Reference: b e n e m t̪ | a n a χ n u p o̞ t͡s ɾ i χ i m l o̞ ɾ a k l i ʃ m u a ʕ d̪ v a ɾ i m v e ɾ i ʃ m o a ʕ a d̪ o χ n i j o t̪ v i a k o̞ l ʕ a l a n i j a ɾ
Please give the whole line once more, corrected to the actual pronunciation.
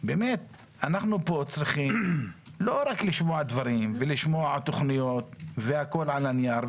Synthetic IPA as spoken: b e m e t̪ | a n a χ n u p o̞ t͡s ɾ i χ i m l o̞ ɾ a k l i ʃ m o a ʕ d̪ v a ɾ i m v e l i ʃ m o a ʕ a t̪ o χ n i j o t̪ v e a k o̞ l ʕ a l a n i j a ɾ